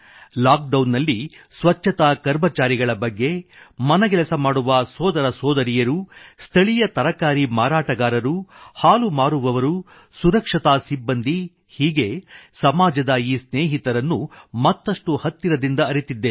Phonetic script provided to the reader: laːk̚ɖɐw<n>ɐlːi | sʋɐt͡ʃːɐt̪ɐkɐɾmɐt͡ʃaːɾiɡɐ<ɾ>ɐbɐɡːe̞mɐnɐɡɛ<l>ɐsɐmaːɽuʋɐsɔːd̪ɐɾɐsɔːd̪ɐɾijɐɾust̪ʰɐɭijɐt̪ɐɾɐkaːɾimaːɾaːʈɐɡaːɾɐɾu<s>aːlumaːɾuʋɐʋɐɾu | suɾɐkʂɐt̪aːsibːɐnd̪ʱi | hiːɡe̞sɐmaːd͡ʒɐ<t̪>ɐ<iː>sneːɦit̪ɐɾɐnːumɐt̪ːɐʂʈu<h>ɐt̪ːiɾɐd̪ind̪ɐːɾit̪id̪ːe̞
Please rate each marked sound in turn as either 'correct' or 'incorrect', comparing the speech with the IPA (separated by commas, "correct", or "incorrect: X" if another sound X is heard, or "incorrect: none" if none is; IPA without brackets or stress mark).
incorrect: nː, incorrect: ɭ, correct, incorrect: h, incorrect: d̪, correct, correct